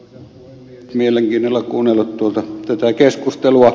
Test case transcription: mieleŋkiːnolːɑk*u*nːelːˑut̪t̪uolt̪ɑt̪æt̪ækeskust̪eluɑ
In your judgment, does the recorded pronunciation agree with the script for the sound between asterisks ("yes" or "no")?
no